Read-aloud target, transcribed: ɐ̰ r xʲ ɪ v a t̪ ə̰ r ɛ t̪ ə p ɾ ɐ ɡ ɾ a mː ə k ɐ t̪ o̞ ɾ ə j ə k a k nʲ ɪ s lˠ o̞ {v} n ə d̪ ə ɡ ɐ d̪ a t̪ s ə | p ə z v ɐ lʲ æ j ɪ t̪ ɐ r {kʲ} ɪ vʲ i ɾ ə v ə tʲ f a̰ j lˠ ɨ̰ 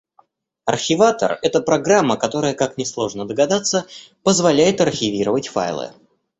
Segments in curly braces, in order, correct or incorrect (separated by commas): incorrect, incorrect